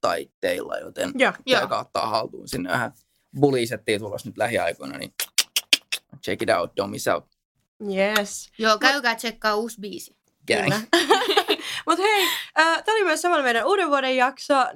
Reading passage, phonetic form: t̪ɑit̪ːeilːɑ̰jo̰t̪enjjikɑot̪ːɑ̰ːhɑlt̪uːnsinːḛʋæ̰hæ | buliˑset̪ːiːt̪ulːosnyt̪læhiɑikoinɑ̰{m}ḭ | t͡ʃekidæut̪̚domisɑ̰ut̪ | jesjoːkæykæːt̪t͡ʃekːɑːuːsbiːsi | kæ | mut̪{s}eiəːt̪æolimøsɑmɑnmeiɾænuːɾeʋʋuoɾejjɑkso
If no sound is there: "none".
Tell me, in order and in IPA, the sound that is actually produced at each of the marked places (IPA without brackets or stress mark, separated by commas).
n, h